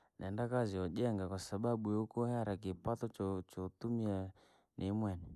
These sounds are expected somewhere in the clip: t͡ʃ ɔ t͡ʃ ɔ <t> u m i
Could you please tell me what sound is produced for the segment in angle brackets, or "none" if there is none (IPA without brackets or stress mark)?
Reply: t